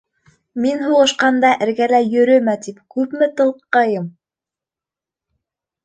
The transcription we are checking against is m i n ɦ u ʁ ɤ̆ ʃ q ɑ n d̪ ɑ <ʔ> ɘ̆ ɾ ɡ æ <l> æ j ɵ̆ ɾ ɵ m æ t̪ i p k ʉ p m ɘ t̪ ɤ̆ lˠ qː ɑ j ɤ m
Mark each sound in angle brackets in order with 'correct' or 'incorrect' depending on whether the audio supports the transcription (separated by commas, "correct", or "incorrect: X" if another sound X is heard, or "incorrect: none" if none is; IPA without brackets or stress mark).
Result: correct, correct